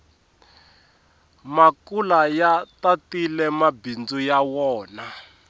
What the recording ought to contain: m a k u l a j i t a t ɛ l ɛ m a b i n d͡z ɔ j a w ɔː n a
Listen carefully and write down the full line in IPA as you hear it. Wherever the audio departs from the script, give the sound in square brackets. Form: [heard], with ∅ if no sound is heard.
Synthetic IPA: m a k u l a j [a] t a t [i] l ɛ m a b i n d͡z [u] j a w ɔː n a